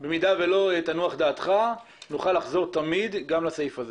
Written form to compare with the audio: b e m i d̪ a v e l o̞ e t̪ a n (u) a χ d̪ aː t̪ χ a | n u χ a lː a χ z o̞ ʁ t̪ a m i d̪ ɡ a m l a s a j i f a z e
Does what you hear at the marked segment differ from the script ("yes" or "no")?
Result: no